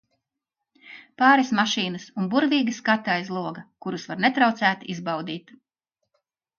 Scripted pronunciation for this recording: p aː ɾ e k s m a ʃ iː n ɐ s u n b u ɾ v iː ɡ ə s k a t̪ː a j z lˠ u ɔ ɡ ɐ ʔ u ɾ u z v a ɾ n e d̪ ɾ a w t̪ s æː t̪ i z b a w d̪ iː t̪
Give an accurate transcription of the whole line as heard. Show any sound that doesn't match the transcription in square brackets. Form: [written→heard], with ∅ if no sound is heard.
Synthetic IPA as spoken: p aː ɾ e [k→∅] s m a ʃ iː n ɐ s u n b u ɾ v iː ɡ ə s k a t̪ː a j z lˠ u ɔ ɡ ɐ [ʔ→k] u ɾ u [z→s] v a ɾ n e [d̪→t̪] ɾ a w t̪ s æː t̪ i z b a w d̪ iː t̪